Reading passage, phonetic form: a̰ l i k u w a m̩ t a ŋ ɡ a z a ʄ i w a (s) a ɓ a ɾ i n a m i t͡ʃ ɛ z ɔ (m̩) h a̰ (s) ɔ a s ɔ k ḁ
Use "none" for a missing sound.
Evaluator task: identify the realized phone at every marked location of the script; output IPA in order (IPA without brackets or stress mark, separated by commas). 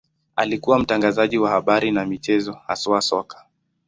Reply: h, none, s